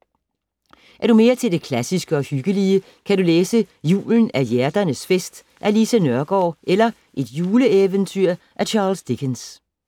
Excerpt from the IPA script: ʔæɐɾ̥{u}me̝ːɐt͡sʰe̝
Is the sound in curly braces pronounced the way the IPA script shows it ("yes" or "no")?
yes